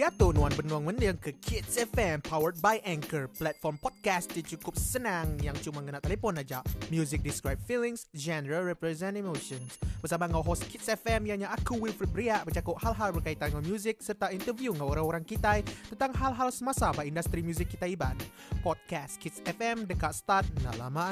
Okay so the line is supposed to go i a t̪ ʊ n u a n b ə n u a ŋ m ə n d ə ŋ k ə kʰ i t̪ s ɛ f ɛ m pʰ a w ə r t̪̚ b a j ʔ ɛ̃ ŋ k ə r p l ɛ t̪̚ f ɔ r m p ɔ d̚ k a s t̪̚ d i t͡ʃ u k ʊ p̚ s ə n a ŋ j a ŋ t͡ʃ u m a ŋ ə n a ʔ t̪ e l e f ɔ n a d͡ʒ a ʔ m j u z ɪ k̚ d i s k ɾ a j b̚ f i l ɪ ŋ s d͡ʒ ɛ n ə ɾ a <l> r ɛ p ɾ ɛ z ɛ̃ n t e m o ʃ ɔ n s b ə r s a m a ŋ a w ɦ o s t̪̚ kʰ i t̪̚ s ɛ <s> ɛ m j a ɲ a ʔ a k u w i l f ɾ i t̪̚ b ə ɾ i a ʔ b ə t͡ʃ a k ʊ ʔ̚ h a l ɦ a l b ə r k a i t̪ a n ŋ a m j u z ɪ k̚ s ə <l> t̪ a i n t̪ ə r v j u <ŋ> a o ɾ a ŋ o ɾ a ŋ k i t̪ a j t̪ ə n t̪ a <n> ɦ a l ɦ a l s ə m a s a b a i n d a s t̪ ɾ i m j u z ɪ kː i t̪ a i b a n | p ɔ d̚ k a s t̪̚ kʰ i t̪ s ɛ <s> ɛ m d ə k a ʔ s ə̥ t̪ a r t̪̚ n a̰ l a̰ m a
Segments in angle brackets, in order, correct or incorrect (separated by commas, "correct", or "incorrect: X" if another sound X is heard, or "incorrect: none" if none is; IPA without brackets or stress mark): correct, incorrect: f, incorrect: r, correct, incorrect: ŋ, incorrect: f